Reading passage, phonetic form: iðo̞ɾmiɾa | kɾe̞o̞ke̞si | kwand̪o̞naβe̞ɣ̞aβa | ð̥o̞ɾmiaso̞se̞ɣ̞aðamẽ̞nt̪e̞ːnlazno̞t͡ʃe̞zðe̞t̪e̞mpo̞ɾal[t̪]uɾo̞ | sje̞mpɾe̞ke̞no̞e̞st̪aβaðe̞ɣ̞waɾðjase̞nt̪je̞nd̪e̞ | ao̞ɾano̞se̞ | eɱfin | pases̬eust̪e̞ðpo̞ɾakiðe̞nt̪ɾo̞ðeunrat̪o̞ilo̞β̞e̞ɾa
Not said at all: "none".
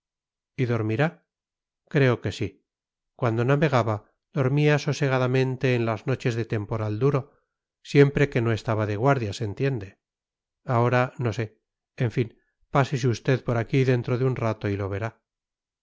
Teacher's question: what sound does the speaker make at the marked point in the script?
d̪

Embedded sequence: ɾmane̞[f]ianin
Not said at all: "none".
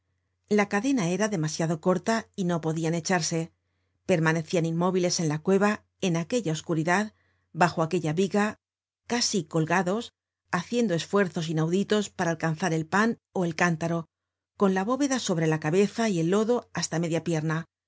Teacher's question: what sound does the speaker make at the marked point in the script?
θ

